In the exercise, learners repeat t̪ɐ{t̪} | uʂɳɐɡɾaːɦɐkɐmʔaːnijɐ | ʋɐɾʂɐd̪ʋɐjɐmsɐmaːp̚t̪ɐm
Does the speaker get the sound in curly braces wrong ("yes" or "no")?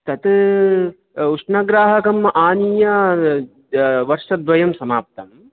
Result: no